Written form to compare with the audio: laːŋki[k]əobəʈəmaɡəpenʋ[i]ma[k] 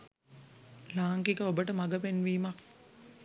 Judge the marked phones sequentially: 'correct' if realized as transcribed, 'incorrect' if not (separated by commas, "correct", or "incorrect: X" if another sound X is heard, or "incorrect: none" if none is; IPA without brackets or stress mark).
correct, incorrect: iː, correct